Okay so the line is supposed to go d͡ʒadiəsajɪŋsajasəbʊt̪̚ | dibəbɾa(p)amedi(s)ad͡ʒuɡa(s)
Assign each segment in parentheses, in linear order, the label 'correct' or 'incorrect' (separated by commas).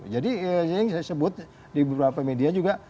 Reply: correct, incorrect, incorrect